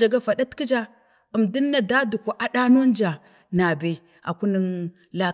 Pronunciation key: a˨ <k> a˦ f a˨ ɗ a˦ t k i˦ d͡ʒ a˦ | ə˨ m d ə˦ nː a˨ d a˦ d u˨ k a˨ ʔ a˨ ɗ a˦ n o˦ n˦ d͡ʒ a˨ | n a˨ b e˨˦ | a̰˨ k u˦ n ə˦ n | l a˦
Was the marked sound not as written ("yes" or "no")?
yes